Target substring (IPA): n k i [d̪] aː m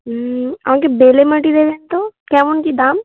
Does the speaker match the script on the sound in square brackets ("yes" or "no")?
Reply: yes